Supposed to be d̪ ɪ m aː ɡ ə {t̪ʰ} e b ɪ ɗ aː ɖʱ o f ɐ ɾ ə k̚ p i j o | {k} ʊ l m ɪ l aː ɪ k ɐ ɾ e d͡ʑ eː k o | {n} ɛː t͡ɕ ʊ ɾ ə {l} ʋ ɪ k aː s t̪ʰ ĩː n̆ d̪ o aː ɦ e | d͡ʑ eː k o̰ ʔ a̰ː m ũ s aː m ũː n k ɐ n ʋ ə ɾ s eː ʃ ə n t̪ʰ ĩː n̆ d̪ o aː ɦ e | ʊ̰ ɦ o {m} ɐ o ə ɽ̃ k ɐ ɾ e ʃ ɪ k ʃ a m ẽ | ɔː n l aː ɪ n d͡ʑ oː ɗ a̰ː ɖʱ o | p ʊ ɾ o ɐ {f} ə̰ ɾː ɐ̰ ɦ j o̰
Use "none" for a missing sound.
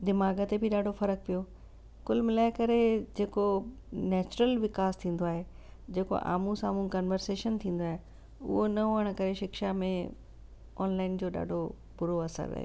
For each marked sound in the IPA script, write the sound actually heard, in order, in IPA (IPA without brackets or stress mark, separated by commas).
t̪, k, n, l, n, s